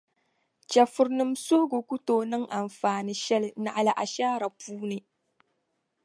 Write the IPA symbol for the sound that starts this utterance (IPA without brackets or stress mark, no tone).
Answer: t͡ʃ